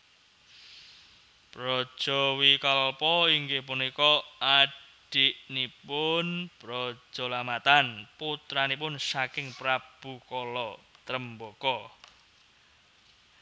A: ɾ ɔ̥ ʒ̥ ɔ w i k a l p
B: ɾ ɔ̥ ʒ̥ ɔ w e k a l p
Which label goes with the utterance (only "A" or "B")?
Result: A